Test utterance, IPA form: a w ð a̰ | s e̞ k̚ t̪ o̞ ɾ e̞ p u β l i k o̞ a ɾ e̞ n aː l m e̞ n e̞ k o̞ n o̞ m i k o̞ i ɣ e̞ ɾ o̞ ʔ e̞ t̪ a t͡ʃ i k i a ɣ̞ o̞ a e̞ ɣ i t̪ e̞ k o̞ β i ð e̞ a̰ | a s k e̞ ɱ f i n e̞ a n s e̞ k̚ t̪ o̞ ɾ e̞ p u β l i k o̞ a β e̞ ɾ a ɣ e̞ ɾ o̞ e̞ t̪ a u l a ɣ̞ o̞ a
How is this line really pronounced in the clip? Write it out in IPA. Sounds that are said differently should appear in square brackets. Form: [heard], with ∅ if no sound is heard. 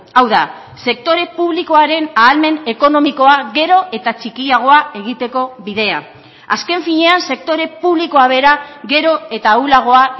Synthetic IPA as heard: a w ð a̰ | s e̞ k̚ t̪ o̞ ɾ e̞ p u β l i k o̞ a ɾ e̞ n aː l m e̞ n e̞ k o̞ n o̞ m i k o̞ [a] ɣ e̞ ɾ o̞ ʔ e̞ t̪ a t͡ʃ i k i a ɣ̞ o̞ a e̞ ɣ i t̪ e̞ k o̞ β i ð e̞ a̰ | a s k e̞ ɱ f i [ɲ] e̞ a n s e̞ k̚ t̪ o̞ ɾ e̞ p u β l i k o̞ a β e̞ ɾ a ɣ e̞ ɾ o̞ e̞ t̪ a u l a ɣ̞ o̞ a